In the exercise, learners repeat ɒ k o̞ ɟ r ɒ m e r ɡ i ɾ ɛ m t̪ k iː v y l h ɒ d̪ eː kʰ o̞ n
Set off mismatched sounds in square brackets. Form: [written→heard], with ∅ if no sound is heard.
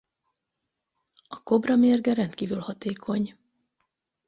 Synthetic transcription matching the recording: ɒ k o̞ [ɟ→b] r ɒ m e r ɡ [i→ɛ] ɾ ɛ [m→n] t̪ k iː v y l h ɒ [d̪→t̪] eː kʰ o̞ [n→ɲ]